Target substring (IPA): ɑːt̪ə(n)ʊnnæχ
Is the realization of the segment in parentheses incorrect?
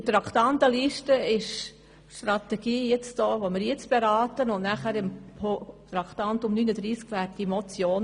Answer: no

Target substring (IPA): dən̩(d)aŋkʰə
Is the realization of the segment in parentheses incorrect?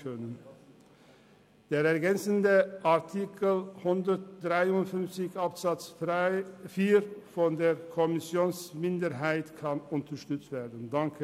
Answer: no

